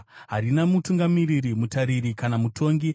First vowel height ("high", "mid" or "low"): low